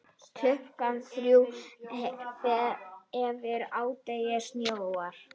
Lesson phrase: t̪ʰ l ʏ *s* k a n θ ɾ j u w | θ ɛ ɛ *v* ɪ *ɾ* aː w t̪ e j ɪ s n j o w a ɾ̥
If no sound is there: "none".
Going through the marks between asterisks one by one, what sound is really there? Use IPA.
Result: h, v, ɾ

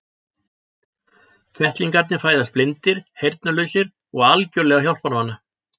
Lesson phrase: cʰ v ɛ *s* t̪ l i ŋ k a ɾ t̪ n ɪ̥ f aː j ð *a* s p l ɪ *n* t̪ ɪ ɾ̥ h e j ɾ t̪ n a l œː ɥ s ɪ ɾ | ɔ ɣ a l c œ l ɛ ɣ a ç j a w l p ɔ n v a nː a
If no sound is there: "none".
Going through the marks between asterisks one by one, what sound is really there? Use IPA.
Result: h, a, n

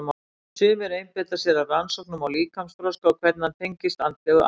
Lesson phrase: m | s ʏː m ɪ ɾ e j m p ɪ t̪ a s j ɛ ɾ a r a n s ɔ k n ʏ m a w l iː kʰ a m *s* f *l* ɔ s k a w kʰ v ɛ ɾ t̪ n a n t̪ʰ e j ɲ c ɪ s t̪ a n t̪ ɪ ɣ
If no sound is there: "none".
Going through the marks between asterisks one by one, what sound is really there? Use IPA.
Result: s, ɾ

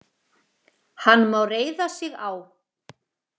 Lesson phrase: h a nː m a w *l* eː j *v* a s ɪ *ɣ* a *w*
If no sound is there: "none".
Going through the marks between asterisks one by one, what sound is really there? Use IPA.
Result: r, ð, ɣ, w

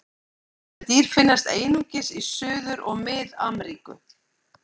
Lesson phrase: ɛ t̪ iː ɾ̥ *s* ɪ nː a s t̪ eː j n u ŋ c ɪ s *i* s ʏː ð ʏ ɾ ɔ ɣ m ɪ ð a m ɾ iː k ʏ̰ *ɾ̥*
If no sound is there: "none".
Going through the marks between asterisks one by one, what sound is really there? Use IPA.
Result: f, i, none

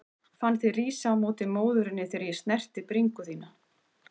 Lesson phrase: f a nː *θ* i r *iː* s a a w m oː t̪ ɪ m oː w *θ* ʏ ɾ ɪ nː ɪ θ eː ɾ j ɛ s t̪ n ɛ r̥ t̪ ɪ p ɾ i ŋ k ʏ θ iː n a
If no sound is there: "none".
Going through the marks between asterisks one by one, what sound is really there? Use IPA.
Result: θ, iː, ð

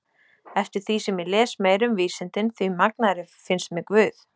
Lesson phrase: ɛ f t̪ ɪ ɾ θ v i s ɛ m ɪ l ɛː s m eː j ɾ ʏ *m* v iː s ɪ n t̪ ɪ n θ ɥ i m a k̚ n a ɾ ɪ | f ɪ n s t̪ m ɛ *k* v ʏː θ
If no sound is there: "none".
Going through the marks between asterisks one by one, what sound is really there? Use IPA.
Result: m, k

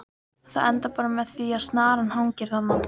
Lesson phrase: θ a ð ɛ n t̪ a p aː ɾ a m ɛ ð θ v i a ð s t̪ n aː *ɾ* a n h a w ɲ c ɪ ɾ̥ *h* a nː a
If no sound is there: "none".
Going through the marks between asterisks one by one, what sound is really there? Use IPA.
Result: ɾ, θ

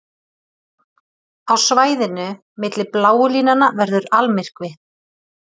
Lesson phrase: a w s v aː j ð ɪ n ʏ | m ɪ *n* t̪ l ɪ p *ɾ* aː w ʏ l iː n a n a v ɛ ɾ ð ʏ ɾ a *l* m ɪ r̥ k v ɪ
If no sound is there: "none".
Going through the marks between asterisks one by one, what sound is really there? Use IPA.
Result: none, l, l

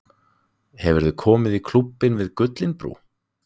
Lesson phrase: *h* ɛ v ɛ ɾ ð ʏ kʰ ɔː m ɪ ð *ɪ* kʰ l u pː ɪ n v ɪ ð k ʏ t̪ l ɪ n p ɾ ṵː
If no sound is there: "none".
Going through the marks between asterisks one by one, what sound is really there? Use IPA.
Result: h, i

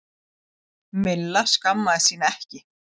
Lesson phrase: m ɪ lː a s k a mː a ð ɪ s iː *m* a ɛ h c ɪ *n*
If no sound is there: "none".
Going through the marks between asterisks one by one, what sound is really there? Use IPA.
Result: n, none

